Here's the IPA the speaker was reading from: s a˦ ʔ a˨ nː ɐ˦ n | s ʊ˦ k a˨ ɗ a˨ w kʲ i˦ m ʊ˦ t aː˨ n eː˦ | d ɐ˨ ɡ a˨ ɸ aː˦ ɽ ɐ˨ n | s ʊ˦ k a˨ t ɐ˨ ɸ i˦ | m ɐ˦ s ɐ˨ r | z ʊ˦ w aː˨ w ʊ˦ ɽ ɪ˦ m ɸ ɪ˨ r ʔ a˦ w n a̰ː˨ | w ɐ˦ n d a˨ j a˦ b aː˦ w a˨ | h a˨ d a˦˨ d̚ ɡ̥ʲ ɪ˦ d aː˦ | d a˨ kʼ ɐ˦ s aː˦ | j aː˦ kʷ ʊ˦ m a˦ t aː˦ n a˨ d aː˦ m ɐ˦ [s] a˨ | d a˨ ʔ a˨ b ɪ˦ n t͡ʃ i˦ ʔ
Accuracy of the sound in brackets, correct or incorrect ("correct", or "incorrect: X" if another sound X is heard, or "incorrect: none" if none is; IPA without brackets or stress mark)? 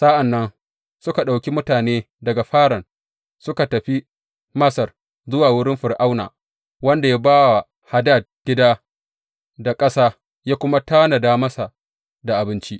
correct